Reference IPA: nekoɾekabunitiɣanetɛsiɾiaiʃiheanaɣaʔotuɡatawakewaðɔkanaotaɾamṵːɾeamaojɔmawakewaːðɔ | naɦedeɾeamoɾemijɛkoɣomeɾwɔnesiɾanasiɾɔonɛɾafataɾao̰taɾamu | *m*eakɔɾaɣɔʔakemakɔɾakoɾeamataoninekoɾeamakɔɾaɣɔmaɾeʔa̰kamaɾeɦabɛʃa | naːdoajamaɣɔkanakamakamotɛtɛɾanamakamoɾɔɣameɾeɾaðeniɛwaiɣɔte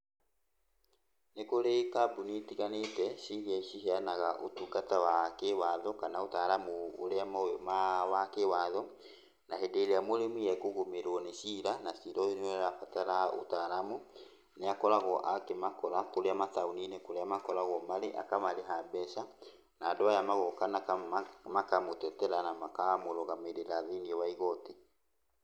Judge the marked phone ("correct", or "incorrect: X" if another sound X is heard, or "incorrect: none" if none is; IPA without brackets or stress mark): incorrect: n